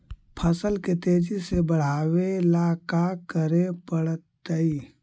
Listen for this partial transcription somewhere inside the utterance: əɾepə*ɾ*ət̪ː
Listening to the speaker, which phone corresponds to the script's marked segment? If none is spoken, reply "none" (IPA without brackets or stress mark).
ɽ